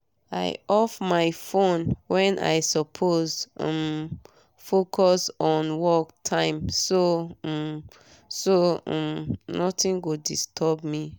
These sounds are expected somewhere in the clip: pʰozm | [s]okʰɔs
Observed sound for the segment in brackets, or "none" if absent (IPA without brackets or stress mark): f